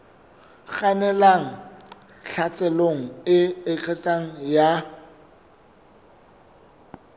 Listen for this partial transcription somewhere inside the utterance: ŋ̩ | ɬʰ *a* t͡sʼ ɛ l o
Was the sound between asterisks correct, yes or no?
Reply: yes